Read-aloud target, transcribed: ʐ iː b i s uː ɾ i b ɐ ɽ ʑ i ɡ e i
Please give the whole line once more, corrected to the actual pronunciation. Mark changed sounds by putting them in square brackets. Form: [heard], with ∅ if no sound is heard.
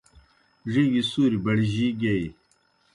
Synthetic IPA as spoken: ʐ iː [ɡ] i s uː ɾ i b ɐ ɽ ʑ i ɡ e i